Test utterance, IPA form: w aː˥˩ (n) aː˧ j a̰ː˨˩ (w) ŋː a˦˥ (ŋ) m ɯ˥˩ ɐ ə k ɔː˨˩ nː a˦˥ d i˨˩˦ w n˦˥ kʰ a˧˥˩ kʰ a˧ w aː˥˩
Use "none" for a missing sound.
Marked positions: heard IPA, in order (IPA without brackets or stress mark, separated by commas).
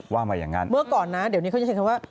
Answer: m, none, n